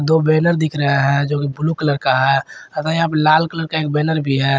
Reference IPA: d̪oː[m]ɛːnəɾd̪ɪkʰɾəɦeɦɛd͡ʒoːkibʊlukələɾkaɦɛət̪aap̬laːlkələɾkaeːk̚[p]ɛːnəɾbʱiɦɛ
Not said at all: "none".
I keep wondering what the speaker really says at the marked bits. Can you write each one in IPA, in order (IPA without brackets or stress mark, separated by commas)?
b, b